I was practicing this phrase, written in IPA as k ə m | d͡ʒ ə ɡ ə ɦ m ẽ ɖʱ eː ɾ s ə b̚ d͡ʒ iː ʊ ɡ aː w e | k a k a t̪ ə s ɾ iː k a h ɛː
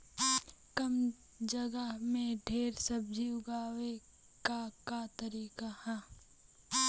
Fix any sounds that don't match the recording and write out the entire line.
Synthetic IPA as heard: k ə m | d͡ʒ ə ɡ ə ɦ m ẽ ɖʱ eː ɾ s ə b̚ d͡ʒ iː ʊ ɡ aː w e | k a k a t̪ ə ɾ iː k a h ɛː